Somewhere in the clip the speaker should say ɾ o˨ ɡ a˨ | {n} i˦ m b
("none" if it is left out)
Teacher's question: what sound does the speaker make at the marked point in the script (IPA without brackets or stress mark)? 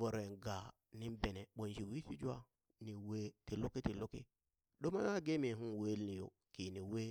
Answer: n